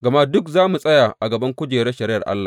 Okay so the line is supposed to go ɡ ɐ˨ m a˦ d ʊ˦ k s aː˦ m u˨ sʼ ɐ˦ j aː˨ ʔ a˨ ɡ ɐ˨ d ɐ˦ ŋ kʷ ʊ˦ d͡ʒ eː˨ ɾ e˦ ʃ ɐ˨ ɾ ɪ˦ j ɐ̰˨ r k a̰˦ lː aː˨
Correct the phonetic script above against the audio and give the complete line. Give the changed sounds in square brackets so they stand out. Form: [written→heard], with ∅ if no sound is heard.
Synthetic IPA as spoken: ɡ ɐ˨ m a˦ d ʊ˦ k [s→z] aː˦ m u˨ sʼ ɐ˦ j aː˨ ʔ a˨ ɡ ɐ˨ [d→b] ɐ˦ ŋ kʷ ʊ˦ d͡ʒ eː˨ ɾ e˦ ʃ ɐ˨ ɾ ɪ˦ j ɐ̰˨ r [k→ʔ] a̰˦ lː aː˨